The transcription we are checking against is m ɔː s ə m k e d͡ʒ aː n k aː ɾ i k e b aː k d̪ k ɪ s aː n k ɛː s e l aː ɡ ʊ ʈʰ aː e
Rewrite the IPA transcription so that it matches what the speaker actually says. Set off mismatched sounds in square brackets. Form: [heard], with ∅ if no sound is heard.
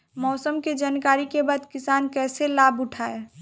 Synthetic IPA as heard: m ɔː s ə m k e d͡ʒ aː n k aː ɾ i k e b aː [∅] d̪ k ɪ s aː n k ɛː s e l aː [b] ʊ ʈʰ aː e